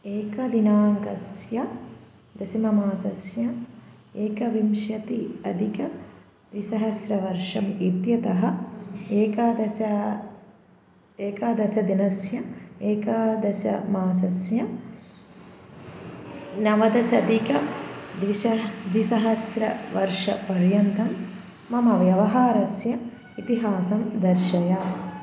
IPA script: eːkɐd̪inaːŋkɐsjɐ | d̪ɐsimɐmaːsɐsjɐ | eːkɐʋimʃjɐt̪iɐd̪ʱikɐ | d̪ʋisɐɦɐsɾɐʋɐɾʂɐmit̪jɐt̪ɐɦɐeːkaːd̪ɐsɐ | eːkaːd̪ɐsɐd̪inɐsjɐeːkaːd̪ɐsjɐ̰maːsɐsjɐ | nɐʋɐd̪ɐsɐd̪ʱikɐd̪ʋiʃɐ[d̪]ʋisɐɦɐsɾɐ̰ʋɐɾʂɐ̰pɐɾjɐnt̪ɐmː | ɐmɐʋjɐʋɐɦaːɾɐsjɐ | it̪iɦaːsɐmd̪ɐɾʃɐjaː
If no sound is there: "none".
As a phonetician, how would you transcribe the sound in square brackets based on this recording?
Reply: d̪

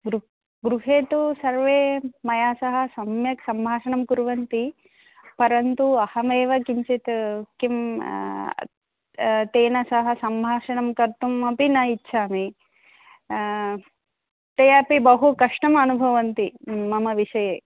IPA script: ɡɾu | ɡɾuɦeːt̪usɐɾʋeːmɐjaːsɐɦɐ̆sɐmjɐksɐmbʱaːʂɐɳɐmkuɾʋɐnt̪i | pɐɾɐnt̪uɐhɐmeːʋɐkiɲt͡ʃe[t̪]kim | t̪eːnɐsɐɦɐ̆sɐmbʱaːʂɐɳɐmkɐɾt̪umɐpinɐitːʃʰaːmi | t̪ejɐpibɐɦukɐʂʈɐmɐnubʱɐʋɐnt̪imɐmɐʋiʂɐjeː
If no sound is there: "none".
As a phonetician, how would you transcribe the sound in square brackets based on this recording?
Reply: t̪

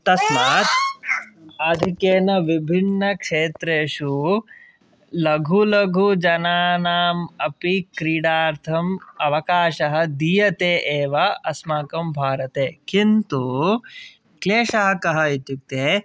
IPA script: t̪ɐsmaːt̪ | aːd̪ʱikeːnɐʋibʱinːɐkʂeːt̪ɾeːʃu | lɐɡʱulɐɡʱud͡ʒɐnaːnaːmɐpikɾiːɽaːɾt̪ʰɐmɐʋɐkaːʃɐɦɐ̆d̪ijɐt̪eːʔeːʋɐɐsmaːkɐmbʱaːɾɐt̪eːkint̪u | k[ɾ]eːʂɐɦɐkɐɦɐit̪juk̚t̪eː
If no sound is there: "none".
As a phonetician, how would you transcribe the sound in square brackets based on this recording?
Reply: l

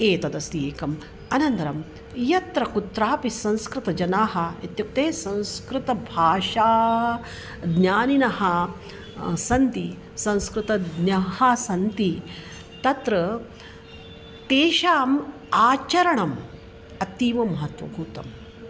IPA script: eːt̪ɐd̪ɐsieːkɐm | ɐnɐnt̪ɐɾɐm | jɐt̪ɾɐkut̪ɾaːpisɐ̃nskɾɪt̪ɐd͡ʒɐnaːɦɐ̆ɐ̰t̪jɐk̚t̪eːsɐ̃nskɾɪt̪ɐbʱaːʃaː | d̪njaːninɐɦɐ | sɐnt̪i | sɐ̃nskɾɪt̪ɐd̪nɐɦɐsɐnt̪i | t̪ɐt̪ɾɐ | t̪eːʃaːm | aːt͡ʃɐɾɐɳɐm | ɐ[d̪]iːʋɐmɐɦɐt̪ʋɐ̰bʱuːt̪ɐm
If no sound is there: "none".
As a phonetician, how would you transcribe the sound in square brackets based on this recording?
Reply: t̪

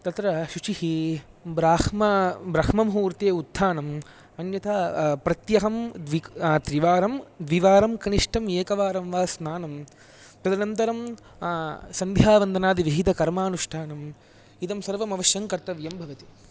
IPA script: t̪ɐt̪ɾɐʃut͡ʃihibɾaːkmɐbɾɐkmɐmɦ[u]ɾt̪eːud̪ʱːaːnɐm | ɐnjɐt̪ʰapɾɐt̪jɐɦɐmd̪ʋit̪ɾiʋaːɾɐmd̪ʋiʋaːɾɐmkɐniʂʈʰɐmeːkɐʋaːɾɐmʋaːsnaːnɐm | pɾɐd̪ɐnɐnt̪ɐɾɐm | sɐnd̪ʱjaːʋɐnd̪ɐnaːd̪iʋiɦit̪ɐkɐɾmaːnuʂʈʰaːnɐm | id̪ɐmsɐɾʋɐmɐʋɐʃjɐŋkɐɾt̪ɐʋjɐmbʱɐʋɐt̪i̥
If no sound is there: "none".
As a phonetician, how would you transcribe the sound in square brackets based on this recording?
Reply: uː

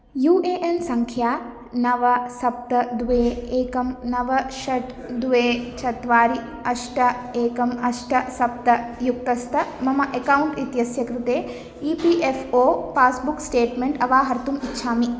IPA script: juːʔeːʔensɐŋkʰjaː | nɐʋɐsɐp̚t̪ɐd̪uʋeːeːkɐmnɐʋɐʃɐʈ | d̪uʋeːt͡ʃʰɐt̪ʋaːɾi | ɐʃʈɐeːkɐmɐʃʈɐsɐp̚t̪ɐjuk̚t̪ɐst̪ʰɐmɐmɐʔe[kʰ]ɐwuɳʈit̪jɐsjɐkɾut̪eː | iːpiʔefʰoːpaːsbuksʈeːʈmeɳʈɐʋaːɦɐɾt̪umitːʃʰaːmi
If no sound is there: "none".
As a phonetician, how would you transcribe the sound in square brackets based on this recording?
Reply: k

